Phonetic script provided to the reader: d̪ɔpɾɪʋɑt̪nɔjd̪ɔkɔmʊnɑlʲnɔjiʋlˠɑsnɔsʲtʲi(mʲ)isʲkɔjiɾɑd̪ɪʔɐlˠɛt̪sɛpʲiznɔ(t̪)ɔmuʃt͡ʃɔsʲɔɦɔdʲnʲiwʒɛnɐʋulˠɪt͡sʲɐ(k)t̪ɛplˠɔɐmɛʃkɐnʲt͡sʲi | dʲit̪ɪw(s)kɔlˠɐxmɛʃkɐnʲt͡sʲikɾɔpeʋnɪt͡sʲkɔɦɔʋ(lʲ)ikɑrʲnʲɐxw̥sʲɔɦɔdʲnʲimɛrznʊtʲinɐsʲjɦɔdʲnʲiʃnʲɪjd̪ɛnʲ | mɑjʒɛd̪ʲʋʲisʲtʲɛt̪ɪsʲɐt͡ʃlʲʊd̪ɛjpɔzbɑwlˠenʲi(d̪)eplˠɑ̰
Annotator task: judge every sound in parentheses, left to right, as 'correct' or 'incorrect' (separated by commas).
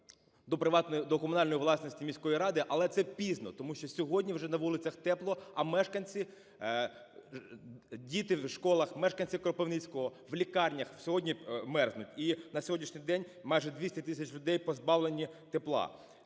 correct, correct, incorrect, incorrect, correct, incorrect